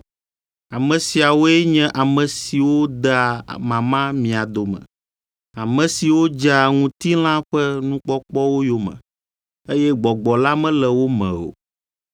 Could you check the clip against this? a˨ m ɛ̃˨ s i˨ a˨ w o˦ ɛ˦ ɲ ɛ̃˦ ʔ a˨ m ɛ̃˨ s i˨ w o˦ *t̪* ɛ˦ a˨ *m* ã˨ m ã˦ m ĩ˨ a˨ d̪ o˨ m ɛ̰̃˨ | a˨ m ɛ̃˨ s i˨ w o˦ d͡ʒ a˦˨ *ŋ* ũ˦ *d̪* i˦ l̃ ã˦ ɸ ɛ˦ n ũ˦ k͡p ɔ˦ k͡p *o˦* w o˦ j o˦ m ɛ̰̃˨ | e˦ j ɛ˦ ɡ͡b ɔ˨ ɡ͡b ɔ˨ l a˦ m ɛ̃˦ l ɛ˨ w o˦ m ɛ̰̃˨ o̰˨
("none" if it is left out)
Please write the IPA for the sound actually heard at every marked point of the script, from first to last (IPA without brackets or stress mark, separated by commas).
d̪, m, ŋ, t̪, ɔ˦